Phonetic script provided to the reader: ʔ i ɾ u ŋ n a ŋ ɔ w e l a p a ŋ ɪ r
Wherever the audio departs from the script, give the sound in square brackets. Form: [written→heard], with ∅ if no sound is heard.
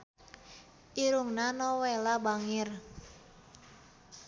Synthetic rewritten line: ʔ i ɾ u ŋ n a [ŋ→n] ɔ w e l a [p→b] a ŋ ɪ r

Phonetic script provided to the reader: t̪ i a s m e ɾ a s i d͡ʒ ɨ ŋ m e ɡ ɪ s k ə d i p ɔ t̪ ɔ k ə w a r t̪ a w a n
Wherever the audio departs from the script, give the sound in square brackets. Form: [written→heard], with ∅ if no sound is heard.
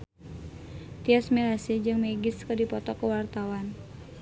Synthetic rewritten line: t̪ i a s m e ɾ a s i d͡ʒ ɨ ŋ m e ɡ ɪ s k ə d i p ɔ t̪ ɔ k ə w a r t̪ a w a n

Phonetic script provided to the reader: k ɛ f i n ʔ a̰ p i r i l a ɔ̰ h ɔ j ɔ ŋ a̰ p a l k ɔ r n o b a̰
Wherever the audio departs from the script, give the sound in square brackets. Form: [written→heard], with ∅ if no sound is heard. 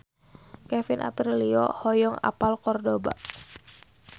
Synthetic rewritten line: k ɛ f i n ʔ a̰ p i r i l [a→i] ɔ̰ h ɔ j ɔ ŋ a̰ p a l k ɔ r [n→d] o b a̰

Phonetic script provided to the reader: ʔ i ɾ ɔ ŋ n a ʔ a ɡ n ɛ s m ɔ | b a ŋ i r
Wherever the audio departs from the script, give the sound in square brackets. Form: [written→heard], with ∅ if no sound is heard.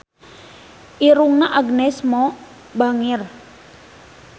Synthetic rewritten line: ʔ i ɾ [ɔ→u] ŋ n a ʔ a ɡ n ɛ s m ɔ | b a ŋ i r

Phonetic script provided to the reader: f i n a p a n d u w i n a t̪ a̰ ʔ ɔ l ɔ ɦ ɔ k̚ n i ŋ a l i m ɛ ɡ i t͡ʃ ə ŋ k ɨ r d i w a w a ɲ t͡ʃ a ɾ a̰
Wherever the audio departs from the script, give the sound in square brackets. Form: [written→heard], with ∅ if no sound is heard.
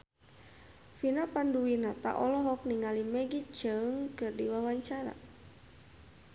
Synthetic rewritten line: f i n a p a n d u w i n a t̪ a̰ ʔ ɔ l ɔ ɦ ɔ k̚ n i ŋ a l i m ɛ ɡ i t͡ʃ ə ŋ k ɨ r d i w a w a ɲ t͡ʃ a ɾ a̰

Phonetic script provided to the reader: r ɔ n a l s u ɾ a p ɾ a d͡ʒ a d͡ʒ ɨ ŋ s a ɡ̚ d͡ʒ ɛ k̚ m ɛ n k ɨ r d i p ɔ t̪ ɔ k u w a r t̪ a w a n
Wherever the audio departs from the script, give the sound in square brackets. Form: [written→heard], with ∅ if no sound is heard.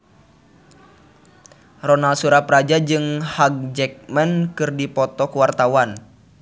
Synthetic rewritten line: r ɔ n a l s u ɾ a p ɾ a d͡ʒ a d͡ʒ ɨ ŋ [s→h] a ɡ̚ d͡ʒ ɛ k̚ m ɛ n k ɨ r d i p ɔ t̪ ɔ k u w a r t̪ a w a n

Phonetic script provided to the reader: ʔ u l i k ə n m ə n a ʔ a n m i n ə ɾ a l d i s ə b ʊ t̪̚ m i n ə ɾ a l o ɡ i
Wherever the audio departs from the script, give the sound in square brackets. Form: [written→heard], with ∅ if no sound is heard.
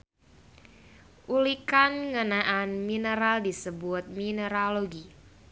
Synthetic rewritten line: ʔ u l i k [ə→a] n [m→ŋ] ə n a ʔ a n m i n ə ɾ a l d i s ə b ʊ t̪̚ m i n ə ɾ a l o ɡ i

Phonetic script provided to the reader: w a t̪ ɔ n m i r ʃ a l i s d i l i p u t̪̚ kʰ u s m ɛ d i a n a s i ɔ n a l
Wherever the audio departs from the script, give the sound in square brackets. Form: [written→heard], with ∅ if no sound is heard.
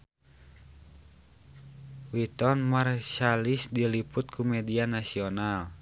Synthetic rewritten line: w [a→i] t̪ ɔ n m [i→a] r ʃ a l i s d i l i p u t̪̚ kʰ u [s→∅] m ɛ d i a n a s i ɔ n a l

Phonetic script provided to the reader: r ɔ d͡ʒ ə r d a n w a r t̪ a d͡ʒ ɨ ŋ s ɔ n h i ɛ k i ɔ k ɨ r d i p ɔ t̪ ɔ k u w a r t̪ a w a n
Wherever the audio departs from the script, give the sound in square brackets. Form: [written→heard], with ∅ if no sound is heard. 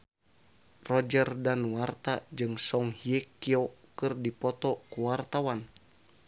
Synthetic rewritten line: r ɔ d͡ʒ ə r d a n w a r t̪ a d͡ʒ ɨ ŋ s ɔ [n→ŋ] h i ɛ k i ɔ k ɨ r d i p ɔ t̪ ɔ k u w a r t̪ a w a n

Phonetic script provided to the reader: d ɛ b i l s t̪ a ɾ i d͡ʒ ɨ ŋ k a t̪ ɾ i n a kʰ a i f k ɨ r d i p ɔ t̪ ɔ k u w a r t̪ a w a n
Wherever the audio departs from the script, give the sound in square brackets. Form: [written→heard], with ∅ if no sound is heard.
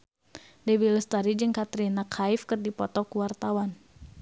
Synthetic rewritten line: d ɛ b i l s t̪ a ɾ i d͡ʒ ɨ ŋ k a t̪ ɾ i n a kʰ a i f k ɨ r d i p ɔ t̪ ɔ k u w a r t̪ a w a n

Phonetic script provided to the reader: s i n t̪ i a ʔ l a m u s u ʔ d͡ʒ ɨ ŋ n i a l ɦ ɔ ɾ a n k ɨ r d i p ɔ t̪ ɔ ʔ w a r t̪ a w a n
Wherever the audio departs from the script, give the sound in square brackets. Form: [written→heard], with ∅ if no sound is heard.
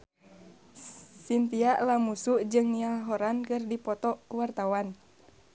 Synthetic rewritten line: s i n t̪ i a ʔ l a m u s u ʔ d͡ʒ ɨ ŋ n i a l ɦ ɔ ɾ a n k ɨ r d i p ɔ t̪ ɔ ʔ w a r t̪ a w a n

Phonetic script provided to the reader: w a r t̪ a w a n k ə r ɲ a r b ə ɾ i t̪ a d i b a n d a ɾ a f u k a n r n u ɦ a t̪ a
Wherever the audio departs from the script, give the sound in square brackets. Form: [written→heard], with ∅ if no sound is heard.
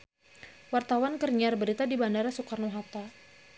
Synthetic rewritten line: w a r t̪ a w a n k ə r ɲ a r b ə ɾ i t̪ a d i b a n d a ɾ a [f→s] u k a [n→∅] r n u ɦ a t̪ a

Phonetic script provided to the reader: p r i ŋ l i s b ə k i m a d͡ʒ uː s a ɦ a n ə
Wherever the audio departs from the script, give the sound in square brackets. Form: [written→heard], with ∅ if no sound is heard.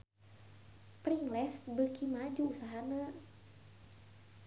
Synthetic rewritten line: p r i ŋ l [i→ɛ] s b ə k i m a d͡ʒ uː s a ɦ a n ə

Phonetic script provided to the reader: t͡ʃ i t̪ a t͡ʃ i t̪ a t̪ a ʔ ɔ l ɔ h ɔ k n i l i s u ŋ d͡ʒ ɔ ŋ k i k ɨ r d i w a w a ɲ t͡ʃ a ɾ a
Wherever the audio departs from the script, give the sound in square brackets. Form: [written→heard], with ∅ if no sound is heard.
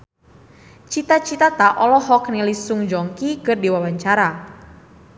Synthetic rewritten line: t͡ʃ i t̪ a t͡ʃ i t̪ a t̪ a ʔ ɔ l ɔ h ɔ k n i l i s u ŋ d͡ʒ ɔ ŋ k i k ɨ r d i w a w a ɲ t͡ʃ a ɾ a

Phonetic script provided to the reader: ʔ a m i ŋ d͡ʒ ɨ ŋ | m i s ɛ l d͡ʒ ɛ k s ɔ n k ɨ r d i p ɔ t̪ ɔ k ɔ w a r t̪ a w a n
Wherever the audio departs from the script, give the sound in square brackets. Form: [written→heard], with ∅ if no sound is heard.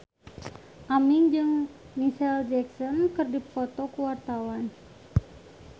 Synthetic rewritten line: ʔ a m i ŋ d͡ʒ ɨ ŋ | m i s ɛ l d͡ʒ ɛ k s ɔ n k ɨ r d i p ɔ t̪ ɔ k [ɔ→u] w a r t̪ a w a n

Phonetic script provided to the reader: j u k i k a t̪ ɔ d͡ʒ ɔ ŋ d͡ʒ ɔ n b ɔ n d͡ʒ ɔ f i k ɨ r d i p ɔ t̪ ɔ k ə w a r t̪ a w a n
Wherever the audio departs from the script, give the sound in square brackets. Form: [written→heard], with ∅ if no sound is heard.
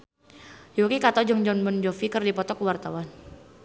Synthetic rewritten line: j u k i k a t̪ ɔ d͡ʒ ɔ ŋ d͡ʒ ɔ n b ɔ n d͡ʒ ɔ f i k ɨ r d i p ɔ t̪ ɔ k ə w a r t̪ a w a n

